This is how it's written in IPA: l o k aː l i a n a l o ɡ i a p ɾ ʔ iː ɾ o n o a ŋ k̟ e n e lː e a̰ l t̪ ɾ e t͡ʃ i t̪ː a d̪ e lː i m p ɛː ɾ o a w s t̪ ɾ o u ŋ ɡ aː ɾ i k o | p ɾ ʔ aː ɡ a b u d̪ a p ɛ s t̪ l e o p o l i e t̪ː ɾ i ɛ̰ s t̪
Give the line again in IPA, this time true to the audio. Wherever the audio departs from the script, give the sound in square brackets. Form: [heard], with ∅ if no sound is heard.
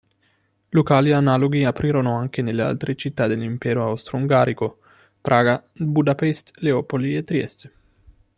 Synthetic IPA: l o k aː l i a n a l o ɡ i a p ɾ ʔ iː ɾ o n o a ŋ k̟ e n e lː e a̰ l t̪ ɾ e t͡ʃ i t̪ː a d̪ e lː i m p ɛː ɾ o a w s t̪ ɾ o u ŋ ɡ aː ɾ i k o | p ɾ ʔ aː ɡ a b u d̪ a p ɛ s t̪ l e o p o l i e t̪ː ɾ i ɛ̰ s t̪